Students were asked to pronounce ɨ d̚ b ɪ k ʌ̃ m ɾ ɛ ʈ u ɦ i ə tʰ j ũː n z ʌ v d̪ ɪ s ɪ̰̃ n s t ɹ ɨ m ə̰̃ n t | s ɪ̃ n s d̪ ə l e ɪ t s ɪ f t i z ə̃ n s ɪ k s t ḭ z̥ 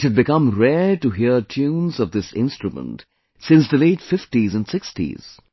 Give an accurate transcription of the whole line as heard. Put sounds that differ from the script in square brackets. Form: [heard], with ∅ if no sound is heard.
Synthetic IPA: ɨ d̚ b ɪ k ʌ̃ m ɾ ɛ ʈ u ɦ i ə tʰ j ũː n z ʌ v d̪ ɪ s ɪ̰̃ n s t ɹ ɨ m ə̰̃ n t | s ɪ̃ n s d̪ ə l e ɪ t [f] ɪ f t i z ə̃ n s ɪ k s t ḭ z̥